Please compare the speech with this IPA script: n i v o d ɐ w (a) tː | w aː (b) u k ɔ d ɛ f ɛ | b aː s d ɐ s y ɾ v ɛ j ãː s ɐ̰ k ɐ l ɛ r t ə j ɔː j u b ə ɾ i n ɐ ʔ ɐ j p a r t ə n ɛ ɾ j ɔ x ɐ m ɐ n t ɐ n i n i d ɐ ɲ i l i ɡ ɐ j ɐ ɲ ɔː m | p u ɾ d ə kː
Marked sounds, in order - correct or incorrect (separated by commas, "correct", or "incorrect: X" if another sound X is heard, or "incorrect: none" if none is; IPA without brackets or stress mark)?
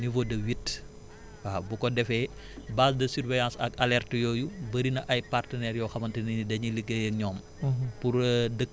incorrect: i, correct